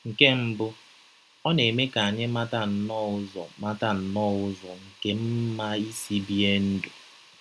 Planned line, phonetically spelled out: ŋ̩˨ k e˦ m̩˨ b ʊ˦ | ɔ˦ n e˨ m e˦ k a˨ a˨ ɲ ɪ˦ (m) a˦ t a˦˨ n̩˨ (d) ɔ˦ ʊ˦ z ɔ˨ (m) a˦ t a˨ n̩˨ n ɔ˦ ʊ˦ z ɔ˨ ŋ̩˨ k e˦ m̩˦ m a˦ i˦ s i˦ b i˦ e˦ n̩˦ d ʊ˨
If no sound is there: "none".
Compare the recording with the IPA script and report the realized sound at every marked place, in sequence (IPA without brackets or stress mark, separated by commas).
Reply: m, n, m